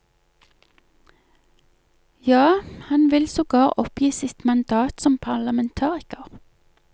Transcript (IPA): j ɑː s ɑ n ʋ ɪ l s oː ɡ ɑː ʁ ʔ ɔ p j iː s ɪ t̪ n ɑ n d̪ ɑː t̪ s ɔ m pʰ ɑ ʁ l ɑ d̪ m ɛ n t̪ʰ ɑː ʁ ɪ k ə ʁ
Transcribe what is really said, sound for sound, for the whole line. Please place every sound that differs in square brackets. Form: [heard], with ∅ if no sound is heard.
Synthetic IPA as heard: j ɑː [h] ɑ n ʋ ɪ l s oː ɡ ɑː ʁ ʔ ɔ p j iː s ɪ t̪ [m] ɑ n d̪ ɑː t̪ s ɔ m pʰ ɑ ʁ l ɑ [∅] m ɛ n t̪ʰ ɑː ʁ ɪ k ə ʁ